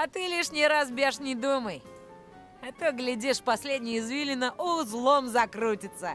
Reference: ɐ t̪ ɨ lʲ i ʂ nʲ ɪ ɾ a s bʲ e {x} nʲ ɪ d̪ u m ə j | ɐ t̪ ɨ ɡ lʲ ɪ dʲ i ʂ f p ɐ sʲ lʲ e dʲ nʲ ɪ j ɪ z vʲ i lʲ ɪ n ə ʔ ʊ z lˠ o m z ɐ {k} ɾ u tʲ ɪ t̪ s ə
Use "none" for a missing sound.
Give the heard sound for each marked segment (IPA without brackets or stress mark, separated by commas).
ʂ, k